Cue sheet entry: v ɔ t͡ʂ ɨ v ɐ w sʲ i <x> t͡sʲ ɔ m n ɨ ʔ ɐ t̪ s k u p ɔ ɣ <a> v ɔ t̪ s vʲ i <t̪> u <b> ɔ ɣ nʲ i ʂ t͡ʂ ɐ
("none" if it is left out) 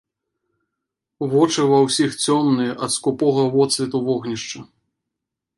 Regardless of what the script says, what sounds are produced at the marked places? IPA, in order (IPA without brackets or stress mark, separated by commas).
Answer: x, ɐ, t̪, v